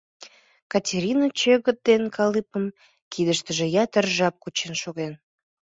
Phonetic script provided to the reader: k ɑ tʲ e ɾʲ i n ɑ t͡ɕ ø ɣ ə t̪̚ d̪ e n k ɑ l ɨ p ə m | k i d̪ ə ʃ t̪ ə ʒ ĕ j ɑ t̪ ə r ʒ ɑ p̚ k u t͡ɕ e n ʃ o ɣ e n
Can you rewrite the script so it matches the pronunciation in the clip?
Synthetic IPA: k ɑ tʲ e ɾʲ i n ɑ t͡ɕ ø ɣ ə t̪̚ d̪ e n k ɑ l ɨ p ə m | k i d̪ ə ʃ t̪ ə ʒ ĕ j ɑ t̪ ə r ʒ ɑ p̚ k u t͡ɕ e n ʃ o ɣ e n